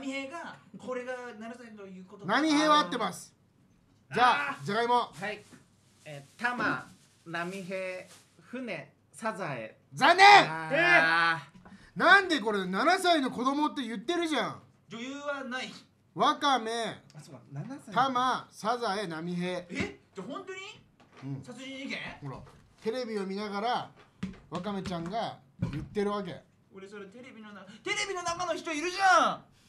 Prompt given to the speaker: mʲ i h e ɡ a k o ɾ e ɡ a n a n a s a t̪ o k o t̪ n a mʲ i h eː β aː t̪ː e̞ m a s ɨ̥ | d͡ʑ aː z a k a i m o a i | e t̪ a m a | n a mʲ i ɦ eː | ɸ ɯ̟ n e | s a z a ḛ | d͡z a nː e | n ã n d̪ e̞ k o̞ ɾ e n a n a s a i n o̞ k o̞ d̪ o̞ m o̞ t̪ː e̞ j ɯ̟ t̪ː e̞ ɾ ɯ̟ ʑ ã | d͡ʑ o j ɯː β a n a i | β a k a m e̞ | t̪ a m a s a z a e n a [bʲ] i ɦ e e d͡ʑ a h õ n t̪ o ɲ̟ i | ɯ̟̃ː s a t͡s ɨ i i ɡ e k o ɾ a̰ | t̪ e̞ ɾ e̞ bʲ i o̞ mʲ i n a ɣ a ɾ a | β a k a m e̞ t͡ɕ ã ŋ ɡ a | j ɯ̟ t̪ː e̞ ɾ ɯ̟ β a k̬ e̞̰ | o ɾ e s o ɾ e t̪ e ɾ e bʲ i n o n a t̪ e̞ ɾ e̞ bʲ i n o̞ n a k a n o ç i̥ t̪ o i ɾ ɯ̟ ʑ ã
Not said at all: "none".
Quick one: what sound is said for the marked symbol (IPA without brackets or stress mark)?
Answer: mʲ